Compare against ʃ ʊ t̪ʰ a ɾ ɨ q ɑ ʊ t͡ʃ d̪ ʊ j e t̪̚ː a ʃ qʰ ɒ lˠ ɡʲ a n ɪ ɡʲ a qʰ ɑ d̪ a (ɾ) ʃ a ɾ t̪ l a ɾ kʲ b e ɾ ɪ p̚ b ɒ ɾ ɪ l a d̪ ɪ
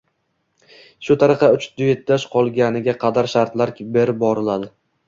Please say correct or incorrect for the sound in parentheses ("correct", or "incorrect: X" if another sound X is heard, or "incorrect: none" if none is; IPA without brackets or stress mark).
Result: correct